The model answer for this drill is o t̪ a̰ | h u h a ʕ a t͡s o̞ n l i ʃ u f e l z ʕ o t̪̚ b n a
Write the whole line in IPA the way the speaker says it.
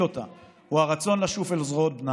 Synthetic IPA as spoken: o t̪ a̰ | h u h a ʁ a t͡s o̞ n l a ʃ u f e l z ʁ o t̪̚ b n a